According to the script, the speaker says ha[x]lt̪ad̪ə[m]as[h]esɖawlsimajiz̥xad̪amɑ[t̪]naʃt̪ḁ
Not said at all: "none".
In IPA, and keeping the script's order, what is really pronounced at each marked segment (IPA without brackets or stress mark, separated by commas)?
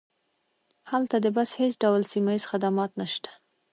none, b, h, t̪